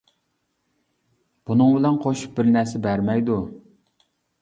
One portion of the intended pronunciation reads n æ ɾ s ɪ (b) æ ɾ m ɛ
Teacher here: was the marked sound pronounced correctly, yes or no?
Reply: yes